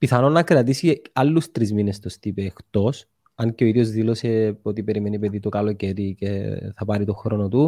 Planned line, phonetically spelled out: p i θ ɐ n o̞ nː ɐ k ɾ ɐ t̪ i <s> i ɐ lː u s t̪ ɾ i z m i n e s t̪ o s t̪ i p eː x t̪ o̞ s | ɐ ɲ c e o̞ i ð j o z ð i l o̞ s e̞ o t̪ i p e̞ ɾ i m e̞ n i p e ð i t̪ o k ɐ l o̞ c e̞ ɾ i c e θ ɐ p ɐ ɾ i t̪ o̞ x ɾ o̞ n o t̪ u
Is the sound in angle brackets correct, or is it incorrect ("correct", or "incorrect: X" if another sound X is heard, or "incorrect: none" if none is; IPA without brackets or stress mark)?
correct